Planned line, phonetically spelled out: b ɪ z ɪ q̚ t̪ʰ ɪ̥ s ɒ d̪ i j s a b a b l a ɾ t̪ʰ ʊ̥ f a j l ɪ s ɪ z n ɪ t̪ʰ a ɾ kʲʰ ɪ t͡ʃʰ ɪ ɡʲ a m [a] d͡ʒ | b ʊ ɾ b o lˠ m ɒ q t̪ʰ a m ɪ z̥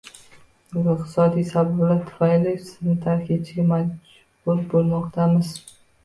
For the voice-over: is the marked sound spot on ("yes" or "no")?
yes